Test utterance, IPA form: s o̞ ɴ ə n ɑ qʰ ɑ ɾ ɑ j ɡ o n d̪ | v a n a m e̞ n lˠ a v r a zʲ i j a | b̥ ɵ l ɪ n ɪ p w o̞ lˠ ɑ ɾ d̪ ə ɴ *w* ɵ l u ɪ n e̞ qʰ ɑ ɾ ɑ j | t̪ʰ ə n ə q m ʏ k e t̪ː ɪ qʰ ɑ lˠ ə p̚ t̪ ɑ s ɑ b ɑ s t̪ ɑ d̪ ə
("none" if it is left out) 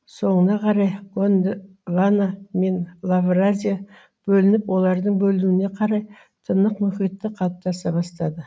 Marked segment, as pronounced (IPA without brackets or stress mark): b